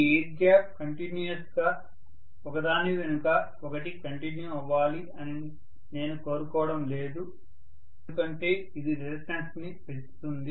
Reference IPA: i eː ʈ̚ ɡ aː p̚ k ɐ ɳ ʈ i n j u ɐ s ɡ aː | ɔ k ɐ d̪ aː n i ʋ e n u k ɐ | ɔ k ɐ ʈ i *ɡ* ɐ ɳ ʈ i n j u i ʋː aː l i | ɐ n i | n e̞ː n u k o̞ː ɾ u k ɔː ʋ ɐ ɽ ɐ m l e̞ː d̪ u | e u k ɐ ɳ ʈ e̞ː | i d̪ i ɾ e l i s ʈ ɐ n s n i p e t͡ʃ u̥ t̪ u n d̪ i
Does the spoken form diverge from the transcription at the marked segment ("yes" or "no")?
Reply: yes